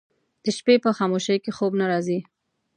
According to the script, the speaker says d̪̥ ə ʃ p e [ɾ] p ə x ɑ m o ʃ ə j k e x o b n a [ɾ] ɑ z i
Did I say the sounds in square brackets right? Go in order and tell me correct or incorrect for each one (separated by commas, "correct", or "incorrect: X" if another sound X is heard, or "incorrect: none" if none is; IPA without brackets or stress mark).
incorrect: none, correct